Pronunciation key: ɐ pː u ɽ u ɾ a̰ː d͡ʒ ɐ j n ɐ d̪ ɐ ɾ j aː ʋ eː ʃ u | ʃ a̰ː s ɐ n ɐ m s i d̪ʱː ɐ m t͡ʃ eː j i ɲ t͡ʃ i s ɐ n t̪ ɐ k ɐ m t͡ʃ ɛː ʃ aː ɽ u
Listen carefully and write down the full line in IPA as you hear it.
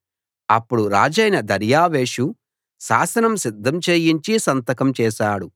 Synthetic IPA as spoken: ɐ pː u ɽ u ɾ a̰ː d͡ʒ ɐ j n ɐ d̪ ɐ ɾ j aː ʋ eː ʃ u | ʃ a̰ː s ɐ n ɐ m s i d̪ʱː ɐ m t͡ʃ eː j i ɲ t͡ʃ i s ɐ n t̪ ɐ k ɐ m t͡ʃ ɛː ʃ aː ɽ u